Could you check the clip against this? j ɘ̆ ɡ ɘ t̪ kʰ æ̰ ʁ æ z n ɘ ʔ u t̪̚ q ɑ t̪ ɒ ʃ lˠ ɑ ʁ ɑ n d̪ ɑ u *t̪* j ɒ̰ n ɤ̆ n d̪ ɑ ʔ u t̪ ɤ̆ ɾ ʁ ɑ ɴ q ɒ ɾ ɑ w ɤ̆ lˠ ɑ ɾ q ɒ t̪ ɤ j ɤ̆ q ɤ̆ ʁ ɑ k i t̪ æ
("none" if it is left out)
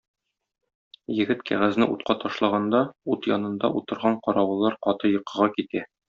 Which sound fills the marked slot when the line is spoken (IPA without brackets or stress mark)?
t̪